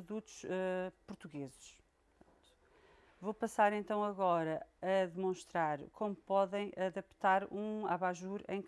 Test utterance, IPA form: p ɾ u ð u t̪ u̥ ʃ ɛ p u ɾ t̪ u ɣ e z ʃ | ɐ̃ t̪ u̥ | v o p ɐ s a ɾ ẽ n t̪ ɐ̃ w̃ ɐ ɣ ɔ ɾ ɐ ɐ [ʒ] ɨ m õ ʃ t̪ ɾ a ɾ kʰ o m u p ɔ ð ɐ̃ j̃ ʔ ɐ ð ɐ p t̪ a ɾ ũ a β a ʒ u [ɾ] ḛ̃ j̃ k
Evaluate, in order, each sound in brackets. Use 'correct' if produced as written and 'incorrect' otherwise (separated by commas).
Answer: incorrect, correct